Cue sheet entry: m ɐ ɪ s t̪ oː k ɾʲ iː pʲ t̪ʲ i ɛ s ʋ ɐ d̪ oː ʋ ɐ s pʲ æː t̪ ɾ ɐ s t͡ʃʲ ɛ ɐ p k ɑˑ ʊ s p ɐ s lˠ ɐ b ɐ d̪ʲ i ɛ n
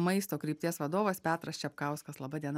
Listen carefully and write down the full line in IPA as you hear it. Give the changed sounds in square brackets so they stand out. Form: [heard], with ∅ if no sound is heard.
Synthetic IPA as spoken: m ɐ ɪ s t̪ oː k ɾʲ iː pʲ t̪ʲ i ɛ s ʋ ɐ d̪ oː ʋ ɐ s pʲ æː t̪ ɾ ɐ s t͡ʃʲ ɛ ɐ p k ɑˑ ʊ s [k] ɐ s lˠ ɐ b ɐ d̪ʲ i ɛ n